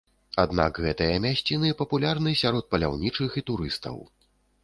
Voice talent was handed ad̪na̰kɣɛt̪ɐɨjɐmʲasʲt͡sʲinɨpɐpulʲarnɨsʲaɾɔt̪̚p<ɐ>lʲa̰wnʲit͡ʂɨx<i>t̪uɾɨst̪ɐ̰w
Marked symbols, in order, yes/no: yes, yes

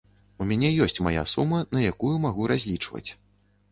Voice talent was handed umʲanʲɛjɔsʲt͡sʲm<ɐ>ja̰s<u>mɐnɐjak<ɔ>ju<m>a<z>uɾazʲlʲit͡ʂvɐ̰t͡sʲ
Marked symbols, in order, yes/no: no, yes, no, yes, no

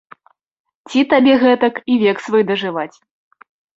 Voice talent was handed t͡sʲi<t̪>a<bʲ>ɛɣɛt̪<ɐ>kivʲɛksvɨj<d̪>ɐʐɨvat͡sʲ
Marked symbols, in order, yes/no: yes, yes, yes, yes

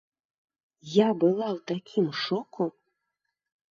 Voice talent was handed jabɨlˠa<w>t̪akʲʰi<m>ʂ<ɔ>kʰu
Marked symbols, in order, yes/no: yes, yes, yes

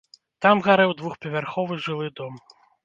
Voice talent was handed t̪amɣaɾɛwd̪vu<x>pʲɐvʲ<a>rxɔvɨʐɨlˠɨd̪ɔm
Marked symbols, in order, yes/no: yes, yes

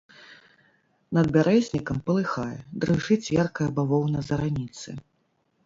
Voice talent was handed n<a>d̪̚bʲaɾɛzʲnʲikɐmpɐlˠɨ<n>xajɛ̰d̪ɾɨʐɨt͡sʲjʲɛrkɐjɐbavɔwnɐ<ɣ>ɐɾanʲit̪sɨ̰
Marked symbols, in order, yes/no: no, no, no

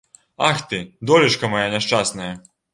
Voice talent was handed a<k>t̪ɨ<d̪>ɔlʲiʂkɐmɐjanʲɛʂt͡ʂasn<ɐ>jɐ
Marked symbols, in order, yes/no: no, yes, yes

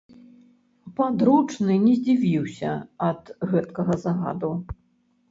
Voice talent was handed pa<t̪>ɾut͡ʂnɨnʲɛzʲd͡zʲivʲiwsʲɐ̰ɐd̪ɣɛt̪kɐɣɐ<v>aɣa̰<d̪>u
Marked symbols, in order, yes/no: no, no, yes

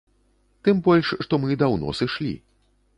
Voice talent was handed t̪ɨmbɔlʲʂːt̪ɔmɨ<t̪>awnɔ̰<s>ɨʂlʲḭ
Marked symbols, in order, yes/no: no, yes

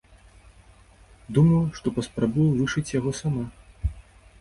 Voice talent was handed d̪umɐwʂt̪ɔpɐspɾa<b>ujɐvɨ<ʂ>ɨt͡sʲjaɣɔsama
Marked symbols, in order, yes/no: yes, yes

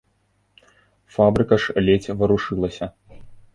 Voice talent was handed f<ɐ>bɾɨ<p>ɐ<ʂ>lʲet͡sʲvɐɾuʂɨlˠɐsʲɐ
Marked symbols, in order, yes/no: no, no, yes

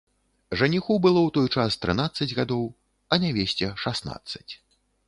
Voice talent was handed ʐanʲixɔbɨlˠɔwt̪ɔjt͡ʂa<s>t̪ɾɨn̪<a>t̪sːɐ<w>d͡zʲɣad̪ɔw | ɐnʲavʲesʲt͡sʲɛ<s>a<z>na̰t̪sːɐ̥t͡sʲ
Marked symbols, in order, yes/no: yes, yes, no, no, no

